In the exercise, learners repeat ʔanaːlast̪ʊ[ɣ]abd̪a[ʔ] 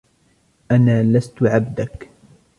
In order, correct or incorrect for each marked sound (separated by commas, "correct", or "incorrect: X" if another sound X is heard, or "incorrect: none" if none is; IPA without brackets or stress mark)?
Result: incorrect: ʕ, incorrect: k